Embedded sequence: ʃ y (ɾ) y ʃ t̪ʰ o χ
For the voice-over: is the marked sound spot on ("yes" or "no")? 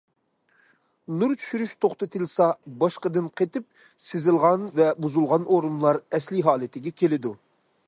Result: yes